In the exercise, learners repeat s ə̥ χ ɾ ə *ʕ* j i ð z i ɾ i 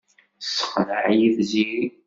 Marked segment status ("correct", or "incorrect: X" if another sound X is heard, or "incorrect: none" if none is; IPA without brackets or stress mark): correct